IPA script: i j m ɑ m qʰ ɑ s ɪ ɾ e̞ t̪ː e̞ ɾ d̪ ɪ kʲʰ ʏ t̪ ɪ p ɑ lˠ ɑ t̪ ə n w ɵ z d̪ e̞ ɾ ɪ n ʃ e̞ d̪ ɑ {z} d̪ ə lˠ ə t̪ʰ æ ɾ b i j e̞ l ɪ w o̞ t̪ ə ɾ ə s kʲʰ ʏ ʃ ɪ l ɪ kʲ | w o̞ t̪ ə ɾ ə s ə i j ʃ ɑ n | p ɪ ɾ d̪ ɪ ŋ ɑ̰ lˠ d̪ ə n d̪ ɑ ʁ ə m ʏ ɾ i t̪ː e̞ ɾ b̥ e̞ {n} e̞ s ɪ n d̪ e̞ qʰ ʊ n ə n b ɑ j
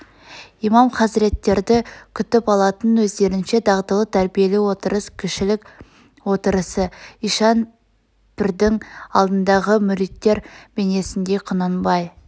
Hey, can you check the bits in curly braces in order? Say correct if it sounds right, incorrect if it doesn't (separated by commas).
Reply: incorrect, correct